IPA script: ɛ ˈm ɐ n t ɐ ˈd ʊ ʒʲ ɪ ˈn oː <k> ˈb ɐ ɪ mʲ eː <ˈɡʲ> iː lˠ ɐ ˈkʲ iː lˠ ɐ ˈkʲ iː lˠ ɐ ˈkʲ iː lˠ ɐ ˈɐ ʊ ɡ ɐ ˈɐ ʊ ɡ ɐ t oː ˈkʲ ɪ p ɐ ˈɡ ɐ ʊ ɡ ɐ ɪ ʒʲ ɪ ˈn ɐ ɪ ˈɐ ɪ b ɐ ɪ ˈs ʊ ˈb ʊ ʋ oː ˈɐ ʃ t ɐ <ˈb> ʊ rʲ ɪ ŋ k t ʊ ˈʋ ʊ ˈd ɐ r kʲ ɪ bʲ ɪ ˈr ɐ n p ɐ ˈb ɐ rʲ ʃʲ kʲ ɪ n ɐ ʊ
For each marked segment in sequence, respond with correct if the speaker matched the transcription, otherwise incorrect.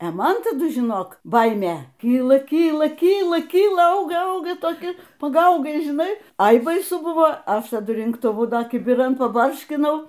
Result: correct, incorrect: kʲ, incorrect: d

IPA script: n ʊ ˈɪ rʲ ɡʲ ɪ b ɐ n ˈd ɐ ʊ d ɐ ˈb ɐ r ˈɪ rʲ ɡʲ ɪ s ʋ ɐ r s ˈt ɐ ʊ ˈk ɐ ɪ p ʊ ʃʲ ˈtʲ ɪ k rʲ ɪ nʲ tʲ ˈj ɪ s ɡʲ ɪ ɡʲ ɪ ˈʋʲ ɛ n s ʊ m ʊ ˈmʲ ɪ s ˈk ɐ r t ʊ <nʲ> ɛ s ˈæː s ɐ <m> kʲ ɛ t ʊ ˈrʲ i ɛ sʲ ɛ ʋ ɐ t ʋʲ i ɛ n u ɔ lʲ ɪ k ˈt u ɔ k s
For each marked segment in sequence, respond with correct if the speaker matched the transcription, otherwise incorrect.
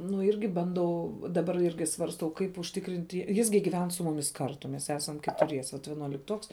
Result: incorrect: mʲ, correct

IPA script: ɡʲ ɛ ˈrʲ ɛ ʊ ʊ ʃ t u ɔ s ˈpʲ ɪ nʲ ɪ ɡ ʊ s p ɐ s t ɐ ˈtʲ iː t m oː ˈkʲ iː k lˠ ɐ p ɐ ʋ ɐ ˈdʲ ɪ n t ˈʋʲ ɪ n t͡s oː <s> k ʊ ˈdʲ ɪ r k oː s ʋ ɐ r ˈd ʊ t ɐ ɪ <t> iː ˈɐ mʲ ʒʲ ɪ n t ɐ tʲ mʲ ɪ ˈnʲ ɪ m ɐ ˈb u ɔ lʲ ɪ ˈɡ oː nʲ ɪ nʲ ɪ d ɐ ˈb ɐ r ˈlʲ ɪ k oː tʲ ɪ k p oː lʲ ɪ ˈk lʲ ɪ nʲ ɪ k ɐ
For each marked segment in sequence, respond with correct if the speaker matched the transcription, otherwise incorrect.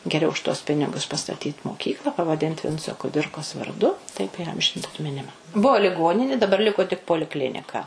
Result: incorrect: none, incorrect: p

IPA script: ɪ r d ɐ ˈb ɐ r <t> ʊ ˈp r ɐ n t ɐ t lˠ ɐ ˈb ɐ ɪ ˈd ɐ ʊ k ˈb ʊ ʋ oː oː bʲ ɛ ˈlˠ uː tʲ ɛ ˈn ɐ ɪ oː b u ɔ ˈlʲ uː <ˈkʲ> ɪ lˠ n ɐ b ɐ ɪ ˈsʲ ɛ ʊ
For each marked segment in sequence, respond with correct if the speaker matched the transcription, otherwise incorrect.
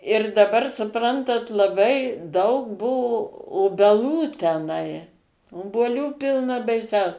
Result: incorrect: s, incorrect: pʲ

